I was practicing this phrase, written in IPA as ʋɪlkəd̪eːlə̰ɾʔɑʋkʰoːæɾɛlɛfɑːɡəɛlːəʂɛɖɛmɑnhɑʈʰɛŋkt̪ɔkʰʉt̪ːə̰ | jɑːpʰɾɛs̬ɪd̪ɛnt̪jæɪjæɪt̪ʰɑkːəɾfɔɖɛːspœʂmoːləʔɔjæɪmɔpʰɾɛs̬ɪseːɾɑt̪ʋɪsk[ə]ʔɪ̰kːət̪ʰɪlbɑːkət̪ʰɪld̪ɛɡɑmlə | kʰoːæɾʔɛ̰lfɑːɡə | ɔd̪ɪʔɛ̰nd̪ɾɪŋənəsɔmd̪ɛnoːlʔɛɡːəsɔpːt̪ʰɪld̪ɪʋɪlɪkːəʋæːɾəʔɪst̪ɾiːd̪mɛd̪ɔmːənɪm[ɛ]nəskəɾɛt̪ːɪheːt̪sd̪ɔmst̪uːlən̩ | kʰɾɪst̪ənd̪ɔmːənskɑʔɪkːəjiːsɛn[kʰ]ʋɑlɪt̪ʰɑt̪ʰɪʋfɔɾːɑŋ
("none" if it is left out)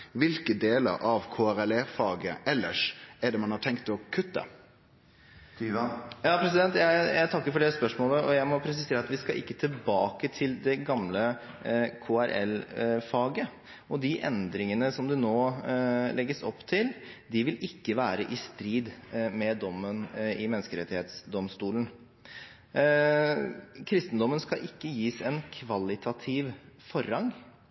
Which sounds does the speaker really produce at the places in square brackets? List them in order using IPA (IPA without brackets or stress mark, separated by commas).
ɑ, ɛ, kʰ